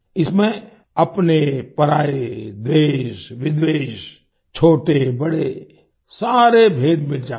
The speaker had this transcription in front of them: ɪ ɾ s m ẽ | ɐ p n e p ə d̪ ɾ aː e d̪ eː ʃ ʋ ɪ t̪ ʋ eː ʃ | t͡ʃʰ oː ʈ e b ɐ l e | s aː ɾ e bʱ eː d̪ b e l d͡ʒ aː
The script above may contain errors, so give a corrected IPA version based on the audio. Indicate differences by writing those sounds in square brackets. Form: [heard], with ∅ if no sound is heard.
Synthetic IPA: ɪ [∅] s m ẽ | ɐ p n e p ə [∅] ɾ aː e d̪ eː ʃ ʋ ɪ [d̪] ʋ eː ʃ | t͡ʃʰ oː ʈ e b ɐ [ɽ] e | s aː ɾ e bʱ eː d̪ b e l d͡ʒ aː